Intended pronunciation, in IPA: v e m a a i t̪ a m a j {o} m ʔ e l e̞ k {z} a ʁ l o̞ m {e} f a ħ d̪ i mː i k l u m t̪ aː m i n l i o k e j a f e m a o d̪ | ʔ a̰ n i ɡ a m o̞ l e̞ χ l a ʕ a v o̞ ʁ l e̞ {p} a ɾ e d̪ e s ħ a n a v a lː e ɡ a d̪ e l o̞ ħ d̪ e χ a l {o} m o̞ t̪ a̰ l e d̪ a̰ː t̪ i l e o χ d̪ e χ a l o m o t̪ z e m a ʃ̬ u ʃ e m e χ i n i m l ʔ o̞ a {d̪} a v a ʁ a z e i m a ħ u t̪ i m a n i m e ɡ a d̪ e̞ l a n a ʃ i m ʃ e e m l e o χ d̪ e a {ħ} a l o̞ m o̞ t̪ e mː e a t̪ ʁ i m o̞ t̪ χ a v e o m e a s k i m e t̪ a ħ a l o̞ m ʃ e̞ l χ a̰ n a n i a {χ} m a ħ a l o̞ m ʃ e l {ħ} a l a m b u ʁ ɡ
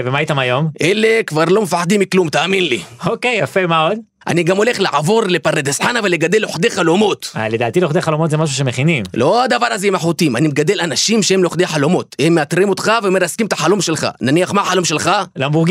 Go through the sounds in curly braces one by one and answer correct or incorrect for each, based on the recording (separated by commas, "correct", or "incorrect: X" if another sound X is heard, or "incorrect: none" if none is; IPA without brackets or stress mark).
correct, incorrect: v, correct, correct, correct, correct, correct, correct, incorrect: χ